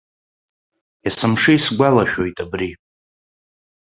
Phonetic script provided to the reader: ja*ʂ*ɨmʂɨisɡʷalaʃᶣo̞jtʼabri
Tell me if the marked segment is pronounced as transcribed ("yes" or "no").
no